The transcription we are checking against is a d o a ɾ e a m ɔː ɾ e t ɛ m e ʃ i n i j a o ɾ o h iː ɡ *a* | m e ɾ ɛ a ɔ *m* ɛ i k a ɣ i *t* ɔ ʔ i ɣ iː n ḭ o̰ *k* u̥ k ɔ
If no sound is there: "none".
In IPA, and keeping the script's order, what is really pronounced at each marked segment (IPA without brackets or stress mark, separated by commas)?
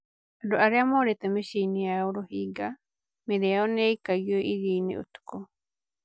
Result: a, n, none, t